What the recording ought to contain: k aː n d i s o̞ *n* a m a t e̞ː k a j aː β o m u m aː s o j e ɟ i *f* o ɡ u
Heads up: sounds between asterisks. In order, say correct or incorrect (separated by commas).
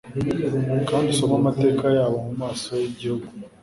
incorrect, incorrect